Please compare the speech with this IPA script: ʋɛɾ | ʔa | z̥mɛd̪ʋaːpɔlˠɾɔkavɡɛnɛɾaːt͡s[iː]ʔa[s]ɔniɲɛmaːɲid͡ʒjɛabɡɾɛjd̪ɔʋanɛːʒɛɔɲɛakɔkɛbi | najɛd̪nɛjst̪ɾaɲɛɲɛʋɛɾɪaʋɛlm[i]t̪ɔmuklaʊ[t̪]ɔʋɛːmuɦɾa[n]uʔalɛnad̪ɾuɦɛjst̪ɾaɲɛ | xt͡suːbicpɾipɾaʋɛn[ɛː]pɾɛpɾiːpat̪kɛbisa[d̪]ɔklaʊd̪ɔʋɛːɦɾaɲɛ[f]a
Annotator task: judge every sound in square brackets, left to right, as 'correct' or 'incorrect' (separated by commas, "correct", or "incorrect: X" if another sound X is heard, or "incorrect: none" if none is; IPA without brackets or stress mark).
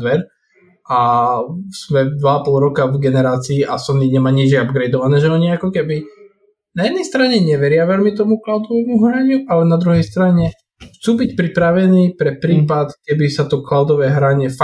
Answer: correct, correct, correct, incorrect: d̪, incorrect: ɲ, incorrect: iː, incorrect: t̪, correct